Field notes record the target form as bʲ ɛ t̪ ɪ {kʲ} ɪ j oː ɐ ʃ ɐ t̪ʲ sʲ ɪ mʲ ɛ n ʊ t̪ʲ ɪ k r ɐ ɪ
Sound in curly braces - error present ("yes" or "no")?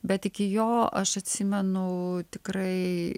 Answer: no